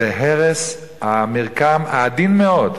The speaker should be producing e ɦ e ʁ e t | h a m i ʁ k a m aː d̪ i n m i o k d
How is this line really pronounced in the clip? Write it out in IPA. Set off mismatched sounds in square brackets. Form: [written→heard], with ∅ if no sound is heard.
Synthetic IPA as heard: e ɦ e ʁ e [t→s] | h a m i ʁ k a m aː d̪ i n m [i→e] o [k→∅] d